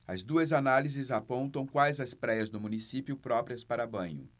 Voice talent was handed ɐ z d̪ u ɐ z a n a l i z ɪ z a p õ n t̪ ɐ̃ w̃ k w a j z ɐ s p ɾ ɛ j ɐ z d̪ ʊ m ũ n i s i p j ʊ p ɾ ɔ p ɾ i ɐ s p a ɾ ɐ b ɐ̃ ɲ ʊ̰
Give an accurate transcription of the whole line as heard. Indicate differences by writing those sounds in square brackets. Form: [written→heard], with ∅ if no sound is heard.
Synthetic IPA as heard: ɐ z d̪ u ɐ z a n a l i z ɪ z a p õ n t̪ ɐ̃ w̃ k w a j z ɐ s p ɾ ɛ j ɐ z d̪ ʊ m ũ n i s i p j ʊ p ɾ ɔ p ɾ i ɐ s p a ɾ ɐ b ɐ̃ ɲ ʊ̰